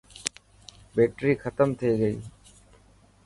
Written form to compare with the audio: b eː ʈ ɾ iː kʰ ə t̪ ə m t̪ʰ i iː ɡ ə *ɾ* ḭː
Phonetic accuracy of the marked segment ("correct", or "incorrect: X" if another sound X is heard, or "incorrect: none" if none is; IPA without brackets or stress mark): incorrect: none